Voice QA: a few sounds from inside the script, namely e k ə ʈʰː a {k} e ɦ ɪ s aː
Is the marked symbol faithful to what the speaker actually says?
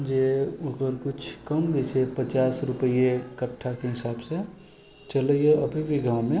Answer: yes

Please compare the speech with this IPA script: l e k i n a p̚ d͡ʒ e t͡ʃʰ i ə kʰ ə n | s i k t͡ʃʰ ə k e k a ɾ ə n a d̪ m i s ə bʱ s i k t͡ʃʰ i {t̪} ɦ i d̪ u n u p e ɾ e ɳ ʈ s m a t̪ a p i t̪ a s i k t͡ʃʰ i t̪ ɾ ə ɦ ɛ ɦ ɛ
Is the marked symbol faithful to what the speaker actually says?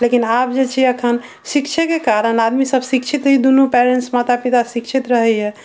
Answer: yes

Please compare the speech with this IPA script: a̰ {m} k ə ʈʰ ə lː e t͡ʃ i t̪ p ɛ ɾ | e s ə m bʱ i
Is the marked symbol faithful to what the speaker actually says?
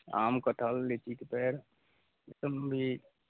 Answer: yes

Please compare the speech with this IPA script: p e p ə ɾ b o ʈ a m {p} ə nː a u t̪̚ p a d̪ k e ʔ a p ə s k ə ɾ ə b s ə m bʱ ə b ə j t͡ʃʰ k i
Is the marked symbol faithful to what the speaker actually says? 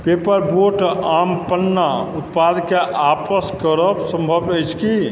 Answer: yes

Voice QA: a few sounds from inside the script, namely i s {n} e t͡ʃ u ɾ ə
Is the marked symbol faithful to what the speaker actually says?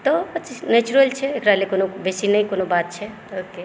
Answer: yes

